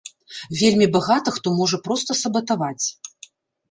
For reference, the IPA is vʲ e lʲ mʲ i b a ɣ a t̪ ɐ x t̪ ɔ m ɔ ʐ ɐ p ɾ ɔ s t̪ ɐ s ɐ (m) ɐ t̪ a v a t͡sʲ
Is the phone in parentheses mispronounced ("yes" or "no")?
yes